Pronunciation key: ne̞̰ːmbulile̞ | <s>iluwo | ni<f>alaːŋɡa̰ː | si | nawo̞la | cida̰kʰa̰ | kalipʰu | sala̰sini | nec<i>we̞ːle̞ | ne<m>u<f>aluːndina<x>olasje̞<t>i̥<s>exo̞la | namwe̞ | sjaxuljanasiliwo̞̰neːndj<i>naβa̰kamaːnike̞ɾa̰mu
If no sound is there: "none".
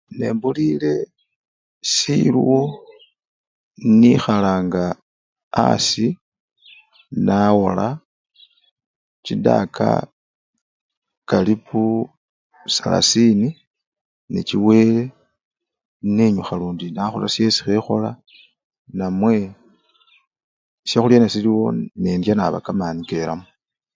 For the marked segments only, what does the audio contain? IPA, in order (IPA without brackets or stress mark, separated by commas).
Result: s, x, i, ɲ, x, x, s, x, a